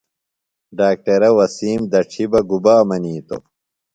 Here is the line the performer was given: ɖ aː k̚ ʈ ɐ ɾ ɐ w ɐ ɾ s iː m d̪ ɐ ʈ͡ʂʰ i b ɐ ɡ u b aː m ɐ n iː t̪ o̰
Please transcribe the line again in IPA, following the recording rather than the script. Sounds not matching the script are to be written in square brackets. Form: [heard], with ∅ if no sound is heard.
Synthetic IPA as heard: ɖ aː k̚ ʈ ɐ ɾ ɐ w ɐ [∅] s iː m d̪ ɐ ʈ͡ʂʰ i b ɐ ɡ u b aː m ɐ n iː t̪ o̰